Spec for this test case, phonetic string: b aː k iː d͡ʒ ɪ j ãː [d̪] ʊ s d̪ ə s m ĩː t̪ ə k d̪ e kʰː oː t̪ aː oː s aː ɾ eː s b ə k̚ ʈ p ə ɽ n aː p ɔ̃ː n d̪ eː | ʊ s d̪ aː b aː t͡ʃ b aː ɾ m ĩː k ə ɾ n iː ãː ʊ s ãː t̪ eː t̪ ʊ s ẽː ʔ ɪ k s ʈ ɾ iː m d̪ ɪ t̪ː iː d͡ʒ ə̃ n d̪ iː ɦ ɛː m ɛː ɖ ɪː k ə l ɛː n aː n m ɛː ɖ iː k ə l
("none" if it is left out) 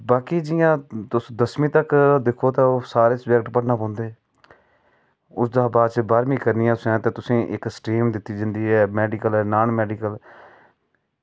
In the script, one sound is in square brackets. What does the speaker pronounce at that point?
t̪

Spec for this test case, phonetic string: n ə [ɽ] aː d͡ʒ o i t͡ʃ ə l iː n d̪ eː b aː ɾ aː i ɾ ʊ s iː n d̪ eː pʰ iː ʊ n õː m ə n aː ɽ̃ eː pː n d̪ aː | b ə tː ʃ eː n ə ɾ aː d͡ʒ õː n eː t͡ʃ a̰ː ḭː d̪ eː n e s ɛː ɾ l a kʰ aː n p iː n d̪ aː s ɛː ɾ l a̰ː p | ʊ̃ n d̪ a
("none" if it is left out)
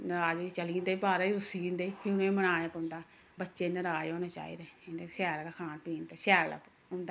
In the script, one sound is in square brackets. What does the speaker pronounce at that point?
ɾ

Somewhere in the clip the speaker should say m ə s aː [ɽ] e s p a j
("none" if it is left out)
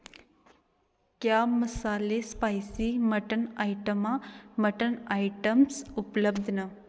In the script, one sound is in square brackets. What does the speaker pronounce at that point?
l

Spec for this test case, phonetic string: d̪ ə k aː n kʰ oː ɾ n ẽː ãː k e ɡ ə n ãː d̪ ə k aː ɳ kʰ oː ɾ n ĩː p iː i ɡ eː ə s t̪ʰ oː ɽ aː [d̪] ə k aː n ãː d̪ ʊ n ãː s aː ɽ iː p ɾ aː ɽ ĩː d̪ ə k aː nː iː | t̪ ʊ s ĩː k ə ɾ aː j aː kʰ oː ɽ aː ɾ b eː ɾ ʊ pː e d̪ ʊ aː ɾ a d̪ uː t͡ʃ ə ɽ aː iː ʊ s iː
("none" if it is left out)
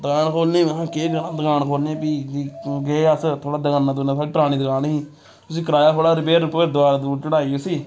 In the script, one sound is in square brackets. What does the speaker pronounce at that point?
d̪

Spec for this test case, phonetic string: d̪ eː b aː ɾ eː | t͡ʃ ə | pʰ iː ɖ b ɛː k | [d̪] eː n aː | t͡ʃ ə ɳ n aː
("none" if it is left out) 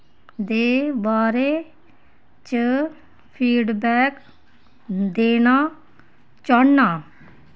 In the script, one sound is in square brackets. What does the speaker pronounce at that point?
d̪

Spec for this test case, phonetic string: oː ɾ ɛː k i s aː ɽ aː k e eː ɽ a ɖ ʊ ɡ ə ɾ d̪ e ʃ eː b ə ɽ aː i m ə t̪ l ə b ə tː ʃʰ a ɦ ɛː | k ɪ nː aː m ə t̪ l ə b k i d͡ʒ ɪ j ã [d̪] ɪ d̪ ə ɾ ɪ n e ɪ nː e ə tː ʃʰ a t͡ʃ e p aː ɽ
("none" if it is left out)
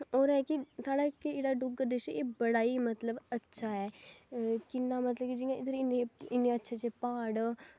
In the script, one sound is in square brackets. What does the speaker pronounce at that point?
none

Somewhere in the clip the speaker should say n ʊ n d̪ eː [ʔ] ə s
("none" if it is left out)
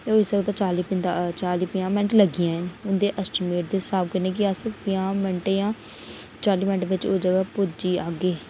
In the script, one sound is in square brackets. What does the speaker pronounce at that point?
ʔ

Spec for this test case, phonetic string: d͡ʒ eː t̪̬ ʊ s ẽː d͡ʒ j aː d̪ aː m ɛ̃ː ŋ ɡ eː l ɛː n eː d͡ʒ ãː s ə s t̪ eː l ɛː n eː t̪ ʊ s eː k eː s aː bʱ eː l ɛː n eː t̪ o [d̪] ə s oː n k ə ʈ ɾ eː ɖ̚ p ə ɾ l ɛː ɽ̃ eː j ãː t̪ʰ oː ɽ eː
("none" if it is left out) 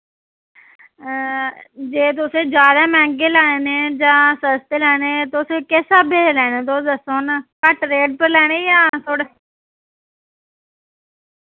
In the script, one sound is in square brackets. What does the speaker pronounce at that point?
d̪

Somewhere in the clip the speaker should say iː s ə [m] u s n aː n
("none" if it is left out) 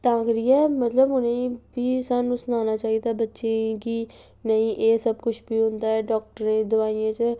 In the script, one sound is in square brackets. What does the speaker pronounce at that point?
n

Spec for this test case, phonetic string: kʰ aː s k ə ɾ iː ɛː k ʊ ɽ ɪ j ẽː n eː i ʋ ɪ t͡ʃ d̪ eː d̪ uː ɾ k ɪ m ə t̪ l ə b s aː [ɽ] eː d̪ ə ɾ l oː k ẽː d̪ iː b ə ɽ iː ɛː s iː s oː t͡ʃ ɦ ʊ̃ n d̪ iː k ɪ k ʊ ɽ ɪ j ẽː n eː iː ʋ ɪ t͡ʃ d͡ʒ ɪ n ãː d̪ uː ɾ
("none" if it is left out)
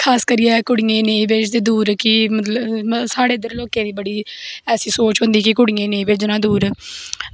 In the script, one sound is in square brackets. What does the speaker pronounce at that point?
ɽ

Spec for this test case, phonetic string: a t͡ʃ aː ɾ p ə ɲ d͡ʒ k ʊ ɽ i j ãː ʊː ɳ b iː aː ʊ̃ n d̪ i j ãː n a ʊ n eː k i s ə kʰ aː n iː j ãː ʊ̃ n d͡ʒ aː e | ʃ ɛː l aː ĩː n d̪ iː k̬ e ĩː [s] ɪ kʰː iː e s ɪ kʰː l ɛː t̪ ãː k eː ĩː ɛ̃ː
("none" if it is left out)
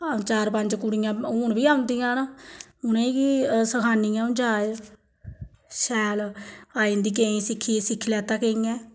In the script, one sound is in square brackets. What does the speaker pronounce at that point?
s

